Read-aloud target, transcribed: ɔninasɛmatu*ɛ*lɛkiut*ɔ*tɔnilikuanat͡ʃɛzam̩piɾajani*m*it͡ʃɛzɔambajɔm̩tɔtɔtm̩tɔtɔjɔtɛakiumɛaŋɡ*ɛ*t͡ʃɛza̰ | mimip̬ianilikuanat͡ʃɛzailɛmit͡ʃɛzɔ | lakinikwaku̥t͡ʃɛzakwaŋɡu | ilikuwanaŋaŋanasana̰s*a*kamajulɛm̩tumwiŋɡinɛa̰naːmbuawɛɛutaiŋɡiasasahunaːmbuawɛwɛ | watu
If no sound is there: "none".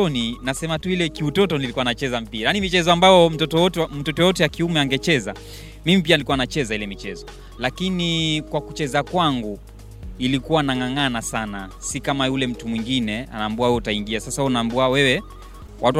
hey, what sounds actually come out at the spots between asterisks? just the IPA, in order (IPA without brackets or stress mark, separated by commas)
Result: i, ɔ, m, ɛ, i